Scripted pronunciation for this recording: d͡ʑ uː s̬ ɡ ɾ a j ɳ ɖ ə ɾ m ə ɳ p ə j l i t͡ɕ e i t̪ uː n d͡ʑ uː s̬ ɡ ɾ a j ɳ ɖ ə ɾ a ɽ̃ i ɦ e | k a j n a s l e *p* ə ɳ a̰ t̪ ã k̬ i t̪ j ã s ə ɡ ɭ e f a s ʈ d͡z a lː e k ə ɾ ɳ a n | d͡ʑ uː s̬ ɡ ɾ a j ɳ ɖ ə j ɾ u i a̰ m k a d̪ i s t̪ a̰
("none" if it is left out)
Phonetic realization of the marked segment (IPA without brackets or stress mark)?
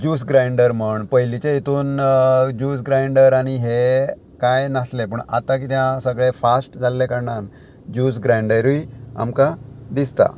p